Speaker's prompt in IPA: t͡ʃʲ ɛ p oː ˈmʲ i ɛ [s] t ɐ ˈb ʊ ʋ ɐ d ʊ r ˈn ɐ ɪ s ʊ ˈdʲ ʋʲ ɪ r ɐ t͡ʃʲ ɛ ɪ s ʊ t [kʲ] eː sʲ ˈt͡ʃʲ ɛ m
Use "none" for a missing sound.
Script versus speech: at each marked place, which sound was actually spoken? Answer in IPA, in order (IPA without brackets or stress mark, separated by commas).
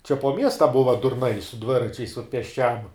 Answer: s, pʲ